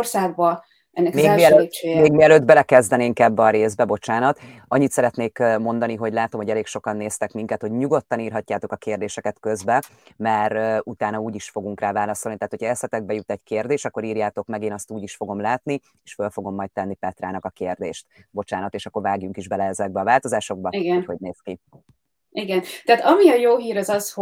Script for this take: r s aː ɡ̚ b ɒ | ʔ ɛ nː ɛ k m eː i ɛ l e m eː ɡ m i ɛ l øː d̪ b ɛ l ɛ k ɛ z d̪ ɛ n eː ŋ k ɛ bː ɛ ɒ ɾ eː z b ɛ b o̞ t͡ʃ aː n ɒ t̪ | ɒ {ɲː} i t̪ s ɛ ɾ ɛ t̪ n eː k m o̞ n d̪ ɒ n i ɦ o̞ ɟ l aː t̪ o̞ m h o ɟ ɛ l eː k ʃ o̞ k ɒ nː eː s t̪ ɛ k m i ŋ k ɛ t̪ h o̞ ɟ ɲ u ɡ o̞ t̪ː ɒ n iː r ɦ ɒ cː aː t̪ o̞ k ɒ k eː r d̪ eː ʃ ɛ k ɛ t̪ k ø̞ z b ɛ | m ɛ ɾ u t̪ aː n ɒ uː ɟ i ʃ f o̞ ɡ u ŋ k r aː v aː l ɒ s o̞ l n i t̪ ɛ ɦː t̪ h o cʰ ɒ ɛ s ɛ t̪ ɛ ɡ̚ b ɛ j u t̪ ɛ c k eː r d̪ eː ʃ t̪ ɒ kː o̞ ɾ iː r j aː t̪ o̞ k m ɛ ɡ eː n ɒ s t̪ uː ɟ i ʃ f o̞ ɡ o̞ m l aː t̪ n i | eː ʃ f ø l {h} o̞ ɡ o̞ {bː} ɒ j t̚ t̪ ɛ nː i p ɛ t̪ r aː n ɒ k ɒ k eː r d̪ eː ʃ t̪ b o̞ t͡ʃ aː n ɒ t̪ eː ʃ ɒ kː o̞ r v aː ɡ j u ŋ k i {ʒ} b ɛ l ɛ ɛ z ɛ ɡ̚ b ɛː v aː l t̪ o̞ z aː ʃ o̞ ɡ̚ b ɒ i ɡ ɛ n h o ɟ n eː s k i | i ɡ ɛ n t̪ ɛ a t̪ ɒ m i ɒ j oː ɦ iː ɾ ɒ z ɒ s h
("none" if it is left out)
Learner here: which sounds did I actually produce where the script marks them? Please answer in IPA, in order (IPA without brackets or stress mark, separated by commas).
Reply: ɲː, f, mː, ʒ